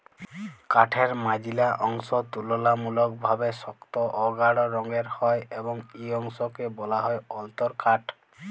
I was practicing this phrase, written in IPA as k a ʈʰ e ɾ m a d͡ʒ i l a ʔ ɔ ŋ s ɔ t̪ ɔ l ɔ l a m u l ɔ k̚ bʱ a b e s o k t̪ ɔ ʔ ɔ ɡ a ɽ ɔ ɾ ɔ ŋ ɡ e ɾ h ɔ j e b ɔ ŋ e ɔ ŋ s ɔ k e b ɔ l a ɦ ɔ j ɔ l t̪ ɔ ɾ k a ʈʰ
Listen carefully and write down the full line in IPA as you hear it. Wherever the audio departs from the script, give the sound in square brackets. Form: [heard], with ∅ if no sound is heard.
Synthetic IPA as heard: k a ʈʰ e ɾ m a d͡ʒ i l a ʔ ɔ ŋ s ɔ t̪ [u] l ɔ l a m u l ɔ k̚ bʱ a b e s [ɔ] k t̪ ɔ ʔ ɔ ɡ a ɽ ɔ ɾ ɔ ŋ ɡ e ɾ h ɔ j e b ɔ ŋ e ɔ ŋ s ɔ k e b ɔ l a ɦ ɔ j ɔ l t̪ ɔ ɾ k a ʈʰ